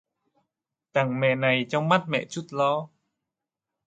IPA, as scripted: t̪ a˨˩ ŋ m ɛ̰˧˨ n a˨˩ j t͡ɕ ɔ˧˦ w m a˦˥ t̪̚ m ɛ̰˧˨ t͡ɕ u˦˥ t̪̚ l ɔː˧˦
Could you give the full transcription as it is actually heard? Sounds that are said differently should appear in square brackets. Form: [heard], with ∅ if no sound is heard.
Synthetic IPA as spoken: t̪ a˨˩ ŋ m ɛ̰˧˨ n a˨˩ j t͡ɕ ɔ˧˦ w m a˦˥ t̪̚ m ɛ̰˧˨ t͡ɕ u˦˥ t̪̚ l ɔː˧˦